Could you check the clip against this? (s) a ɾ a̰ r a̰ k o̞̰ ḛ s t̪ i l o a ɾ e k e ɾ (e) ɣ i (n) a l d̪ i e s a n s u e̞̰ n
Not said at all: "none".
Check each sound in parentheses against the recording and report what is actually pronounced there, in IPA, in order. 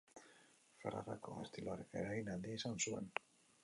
f, a, n

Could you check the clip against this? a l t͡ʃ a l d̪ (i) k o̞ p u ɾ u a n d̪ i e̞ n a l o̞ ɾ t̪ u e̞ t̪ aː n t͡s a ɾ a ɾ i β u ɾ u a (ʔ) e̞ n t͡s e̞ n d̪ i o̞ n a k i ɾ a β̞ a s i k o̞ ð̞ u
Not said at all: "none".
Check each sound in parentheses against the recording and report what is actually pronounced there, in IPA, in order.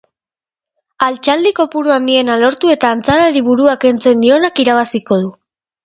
i, k

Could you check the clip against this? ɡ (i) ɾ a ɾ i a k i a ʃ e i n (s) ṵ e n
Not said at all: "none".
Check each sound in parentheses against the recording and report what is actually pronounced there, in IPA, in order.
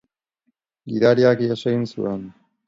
i, s

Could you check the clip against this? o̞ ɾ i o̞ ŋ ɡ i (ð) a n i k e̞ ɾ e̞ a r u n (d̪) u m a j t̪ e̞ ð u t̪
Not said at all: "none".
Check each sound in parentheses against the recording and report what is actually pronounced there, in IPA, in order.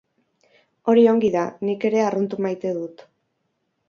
ð, t̪

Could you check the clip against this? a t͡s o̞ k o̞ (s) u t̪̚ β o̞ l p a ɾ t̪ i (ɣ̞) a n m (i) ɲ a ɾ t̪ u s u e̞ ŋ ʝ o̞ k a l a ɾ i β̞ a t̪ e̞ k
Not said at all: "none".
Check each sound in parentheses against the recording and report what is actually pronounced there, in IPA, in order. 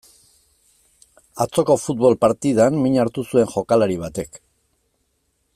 f, ð̞, i

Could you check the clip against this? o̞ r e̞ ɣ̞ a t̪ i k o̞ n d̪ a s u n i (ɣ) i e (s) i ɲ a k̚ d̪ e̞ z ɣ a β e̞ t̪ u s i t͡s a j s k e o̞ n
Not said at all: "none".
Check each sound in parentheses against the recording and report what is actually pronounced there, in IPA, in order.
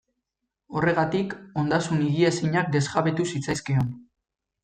ɣ, s

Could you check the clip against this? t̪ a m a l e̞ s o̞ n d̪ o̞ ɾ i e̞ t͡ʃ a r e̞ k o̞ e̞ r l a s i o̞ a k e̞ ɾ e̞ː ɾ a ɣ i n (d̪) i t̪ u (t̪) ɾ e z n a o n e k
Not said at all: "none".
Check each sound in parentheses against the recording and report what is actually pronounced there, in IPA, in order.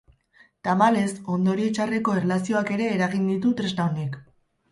d̪, t̪

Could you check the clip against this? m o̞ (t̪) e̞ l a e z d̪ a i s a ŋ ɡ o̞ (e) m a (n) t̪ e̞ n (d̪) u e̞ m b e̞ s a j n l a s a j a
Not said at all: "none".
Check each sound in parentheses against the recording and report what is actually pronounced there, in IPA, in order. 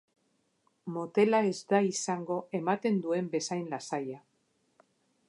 t̪, e, none, d̪

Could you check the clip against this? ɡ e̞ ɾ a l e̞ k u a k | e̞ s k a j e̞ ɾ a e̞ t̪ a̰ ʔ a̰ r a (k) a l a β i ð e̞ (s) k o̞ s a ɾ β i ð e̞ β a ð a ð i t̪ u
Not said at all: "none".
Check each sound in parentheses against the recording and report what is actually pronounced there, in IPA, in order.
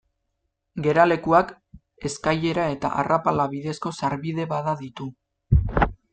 p, s

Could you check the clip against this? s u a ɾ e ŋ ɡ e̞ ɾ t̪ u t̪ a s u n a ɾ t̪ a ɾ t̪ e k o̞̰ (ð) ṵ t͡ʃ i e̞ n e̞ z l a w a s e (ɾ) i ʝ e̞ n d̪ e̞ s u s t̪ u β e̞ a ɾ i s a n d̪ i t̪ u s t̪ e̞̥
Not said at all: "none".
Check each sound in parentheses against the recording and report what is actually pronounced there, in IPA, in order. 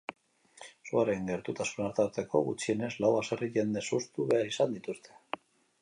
ɣ, r

